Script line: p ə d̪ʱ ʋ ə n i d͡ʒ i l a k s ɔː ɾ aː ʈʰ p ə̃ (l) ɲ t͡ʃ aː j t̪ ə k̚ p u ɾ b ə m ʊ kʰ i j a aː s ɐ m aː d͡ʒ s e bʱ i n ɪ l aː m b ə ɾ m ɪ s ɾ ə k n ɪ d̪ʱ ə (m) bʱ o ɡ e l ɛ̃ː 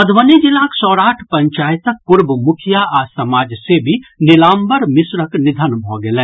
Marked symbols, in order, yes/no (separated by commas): no, no